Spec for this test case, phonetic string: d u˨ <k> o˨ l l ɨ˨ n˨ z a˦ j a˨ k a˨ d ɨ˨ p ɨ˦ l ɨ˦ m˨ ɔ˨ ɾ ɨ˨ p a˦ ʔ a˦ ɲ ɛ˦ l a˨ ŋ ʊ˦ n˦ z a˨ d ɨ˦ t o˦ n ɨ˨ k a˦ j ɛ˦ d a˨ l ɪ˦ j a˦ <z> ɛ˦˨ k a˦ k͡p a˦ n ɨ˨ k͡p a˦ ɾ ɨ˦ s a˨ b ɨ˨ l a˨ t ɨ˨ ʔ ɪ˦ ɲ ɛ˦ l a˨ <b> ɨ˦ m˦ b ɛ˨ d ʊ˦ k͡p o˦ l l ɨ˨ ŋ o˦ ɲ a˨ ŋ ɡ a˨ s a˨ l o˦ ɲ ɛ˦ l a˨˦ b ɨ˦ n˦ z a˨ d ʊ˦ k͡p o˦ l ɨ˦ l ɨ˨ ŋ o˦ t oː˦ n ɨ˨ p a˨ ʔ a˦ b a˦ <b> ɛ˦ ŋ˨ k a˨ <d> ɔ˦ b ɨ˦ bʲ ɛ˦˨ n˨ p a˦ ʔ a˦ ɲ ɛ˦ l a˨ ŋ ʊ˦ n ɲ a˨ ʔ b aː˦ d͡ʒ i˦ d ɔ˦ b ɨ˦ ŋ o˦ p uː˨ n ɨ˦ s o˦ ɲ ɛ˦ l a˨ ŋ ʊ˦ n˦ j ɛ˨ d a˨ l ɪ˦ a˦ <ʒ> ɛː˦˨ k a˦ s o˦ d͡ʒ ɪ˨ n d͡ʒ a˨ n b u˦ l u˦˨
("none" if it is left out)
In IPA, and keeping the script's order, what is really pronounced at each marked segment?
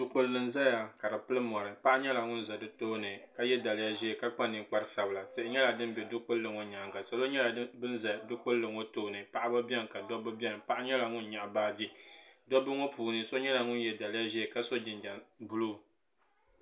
k͡p, ʒ, d, b, d, ʒ

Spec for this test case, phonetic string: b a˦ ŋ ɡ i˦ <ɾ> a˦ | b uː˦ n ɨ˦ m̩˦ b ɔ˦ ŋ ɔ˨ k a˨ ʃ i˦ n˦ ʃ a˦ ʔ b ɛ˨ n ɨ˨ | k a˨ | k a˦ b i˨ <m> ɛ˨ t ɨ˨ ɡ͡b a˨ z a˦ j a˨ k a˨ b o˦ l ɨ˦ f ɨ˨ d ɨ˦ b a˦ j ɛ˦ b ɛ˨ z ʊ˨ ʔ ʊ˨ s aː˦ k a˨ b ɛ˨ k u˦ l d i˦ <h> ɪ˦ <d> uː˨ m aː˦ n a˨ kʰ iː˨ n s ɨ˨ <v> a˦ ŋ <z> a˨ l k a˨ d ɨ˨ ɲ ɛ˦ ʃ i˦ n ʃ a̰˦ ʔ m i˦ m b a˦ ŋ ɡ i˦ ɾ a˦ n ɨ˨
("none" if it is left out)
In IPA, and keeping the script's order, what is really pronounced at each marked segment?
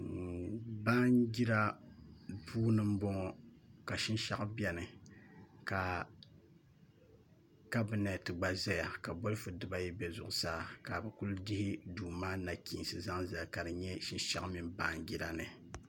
ɾ, n, h, d, z, z

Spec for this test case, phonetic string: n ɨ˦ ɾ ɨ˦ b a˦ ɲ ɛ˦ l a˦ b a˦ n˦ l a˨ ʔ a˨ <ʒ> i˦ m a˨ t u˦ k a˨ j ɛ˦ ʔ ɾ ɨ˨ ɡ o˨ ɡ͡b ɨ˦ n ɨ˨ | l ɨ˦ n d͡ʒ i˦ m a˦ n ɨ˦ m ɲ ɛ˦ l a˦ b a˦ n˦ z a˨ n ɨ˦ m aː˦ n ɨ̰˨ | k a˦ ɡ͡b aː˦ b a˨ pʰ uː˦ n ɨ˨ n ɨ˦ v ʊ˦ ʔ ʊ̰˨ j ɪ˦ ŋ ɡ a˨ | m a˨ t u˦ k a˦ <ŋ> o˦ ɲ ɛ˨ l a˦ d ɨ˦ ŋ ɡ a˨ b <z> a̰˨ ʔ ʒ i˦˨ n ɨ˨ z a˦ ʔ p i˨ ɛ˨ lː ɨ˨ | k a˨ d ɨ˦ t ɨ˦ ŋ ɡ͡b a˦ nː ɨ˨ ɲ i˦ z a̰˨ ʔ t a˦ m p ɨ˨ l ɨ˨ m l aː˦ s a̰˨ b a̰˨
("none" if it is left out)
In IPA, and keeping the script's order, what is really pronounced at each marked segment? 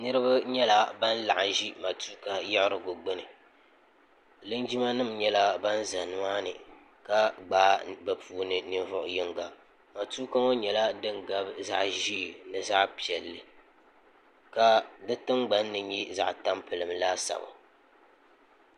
ʒ, ŋ, z

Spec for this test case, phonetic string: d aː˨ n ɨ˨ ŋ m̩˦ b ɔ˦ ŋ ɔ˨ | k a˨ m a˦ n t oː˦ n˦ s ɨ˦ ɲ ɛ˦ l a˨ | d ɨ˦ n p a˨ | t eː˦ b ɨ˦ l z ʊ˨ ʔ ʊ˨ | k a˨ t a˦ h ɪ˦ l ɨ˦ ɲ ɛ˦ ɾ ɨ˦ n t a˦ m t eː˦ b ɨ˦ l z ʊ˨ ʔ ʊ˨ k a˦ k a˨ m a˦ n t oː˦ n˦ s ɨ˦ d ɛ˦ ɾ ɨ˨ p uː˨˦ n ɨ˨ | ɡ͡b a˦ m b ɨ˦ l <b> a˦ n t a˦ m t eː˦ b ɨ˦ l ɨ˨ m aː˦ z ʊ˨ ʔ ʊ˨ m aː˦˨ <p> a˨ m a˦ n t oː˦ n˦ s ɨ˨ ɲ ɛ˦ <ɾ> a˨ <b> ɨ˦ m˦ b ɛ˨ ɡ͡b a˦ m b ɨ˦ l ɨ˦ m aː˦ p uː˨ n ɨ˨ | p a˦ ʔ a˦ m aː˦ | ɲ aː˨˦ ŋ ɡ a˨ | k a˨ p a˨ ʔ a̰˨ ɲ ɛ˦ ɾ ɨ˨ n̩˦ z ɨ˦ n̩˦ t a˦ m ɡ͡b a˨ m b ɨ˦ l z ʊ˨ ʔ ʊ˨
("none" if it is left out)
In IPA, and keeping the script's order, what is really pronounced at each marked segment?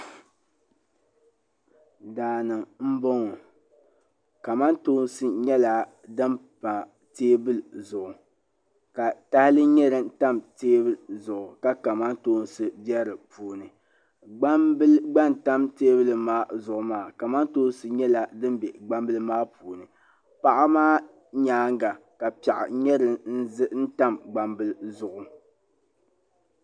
ɡ͡b, k, l, d

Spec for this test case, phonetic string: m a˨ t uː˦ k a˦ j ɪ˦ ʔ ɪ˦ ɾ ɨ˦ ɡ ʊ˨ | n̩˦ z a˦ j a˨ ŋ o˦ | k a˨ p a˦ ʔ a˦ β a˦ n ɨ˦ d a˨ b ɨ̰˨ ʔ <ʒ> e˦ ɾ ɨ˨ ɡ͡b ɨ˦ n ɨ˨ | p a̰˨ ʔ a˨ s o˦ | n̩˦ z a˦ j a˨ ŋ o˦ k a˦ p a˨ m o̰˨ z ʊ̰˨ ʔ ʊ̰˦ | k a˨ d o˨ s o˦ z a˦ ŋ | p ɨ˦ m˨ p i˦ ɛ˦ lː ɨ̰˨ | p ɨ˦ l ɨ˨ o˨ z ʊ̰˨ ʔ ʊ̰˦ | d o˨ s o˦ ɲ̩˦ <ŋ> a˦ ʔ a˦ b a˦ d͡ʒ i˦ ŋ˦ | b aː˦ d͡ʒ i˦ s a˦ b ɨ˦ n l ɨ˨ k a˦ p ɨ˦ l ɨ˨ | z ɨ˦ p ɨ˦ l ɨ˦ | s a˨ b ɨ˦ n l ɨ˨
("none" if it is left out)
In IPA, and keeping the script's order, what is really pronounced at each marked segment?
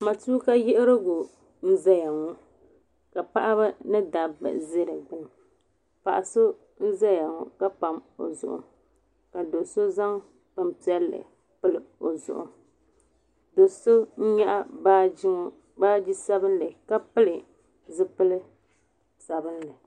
z, ɲ

